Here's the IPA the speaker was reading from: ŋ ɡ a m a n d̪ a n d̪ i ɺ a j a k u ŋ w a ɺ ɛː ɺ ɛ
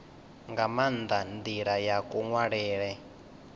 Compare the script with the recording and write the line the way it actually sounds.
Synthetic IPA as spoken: ŋ ɡ a m a n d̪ a n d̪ i ɺ a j a k u ŋ w a ɺ ɛː ɺ ɛ